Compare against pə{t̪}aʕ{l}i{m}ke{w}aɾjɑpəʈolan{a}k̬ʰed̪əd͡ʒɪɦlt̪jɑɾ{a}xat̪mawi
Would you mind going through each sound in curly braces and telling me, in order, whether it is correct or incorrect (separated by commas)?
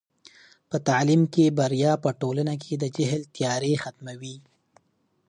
correct, correct, correct, incorrect, correct, incorrect